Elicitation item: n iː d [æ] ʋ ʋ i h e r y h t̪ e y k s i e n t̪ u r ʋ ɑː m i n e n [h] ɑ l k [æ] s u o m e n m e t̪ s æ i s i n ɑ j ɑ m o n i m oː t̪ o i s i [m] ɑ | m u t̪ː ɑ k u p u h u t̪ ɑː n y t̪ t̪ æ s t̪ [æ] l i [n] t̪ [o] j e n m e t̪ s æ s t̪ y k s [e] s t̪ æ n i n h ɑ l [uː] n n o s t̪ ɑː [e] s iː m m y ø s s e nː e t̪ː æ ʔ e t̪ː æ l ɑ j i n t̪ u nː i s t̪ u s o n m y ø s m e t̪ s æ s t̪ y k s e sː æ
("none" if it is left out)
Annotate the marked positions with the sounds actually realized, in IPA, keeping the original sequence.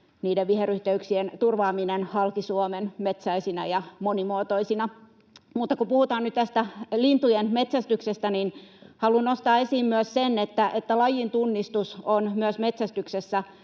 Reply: e, h, i, n, æ, n, u, e, u, e

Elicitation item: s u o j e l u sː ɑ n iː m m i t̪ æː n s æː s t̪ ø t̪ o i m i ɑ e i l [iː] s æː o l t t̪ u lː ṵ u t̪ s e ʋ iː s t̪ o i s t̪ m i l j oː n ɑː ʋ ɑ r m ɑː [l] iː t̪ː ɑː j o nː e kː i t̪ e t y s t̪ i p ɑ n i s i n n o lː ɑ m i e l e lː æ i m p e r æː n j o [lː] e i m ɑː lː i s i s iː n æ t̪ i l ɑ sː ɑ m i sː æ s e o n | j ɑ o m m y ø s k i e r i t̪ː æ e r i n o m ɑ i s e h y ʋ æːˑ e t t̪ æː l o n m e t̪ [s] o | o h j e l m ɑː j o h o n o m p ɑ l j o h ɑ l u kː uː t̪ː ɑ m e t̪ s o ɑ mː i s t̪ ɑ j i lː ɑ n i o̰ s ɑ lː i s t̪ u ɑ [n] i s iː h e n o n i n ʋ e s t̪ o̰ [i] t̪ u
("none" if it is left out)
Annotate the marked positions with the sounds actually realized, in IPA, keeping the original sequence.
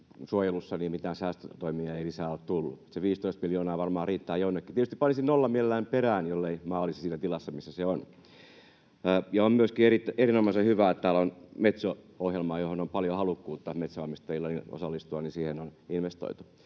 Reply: i, r, lː, s, n, i

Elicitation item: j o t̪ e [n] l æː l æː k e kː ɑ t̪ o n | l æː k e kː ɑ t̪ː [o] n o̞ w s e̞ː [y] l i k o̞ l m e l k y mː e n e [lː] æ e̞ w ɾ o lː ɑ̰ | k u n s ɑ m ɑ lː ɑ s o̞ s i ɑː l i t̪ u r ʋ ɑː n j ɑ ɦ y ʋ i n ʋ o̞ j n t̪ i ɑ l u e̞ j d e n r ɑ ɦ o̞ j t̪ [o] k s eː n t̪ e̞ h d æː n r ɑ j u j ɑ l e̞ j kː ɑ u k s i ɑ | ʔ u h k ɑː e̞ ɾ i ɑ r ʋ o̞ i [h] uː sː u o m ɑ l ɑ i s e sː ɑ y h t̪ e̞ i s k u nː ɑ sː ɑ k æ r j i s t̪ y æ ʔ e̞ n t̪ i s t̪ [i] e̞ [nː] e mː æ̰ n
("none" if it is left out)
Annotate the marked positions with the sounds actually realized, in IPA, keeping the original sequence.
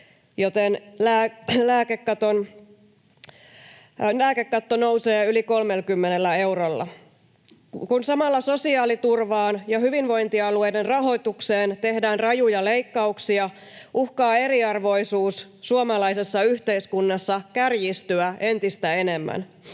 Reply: n, o, y, lː, u, s, æ, n

